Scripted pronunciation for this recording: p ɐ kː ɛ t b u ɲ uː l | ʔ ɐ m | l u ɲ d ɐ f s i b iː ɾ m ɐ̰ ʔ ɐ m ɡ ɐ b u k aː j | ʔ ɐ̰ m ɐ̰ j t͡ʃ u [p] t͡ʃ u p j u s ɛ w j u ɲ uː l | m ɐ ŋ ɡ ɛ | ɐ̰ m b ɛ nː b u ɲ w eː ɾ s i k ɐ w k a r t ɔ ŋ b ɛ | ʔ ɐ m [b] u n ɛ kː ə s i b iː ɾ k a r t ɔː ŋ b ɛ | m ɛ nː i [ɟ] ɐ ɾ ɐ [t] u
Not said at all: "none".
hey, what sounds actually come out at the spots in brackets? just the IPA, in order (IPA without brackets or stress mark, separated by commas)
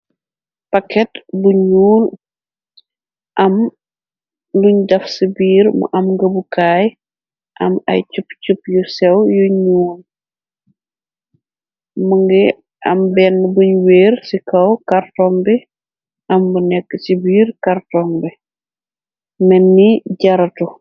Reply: p, b, ɟ, t